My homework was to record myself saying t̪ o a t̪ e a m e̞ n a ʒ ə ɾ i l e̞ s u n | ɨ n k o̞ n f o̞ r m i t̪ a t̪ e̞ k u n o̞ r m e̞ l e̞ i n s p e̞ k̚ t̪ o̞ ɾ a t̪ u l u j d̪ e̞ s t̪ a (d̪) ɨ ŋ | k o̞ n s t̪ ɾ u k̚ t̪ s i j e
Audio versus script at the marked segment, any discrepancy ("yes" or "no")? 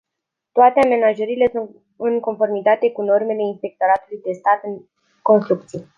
yes